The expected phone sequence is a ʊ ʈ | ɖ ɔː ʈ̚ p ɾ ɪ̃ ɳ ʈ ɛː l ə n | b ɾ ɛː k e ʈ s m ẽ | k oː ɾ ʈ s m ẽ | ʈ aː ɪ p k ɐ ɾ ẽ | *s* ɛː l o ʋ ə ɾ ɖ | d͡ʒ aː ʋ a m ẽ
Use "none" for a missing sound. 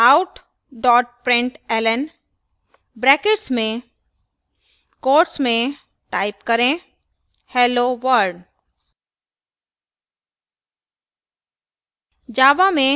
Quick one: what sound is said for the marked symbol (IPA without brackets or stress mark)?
h